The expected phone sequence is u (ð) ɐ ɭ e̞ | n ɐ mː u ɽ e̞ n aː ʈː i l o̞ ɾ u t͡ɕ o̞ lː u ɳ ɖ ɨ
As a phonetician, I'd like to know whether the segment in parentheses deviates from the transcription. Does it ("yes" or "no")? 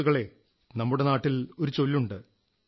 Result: yes